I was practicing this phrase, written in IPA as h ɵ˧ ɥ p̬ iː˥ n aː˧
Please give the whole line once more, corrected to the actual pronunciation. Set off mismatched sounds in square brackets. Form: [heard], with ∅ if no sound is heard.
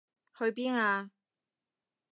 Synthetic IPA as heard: h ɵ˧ ɥ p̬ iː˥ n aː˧